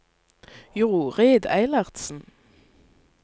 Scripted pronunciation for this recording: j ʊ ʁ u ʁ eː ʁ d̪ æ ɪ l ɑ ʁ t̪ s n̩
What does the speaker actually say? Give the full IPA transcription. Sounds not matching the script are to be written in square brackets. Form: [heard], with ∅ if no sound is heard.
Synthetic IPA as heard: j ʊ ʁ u ʁ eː [∅] d̪ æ ɪ l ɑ ʁ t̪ s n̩